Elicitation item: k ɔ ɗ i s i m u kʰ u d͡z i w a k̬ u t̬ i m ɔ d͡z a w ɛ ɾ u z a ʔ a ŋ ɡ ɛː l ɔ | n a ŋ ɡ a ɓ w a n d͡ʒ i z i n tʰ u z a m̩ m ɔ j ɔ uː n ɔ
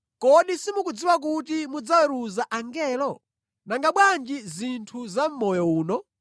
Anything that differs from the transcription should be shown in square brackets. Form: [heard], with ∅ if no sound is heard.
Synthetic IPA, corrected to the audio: k ɔ ɗ i s i m u [k] u d͡z i w a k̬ u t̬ i m [u] d͡z a w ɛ ɾ u z a ʔ a ŋ ɡ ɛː l ɔ | n a ŋ ɡ a ɓ w a n d͡ʒ i z i n tʰ u z a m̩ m ɔ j ɔ uː n ɔ